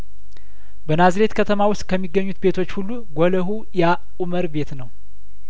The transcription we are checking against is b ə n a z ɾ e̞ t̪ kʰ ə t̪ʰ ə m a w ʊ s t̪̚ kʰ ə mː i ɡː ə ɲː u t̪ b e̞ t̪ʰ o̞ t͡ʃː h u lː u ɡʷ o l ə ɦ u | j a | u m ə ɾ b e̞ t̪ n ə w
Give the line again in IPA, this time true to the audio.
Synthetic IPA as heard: b ə n a z ɾ e̞ t̪ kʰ ə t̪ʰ ə m a w ʊ s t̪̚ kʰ ə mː i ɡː ə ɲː u t̪ b e̞ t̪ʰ o̞ t͡ʃː h u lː u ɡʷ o l ə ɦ u | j a | u m ə ɾ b e̞ t̪ n ə w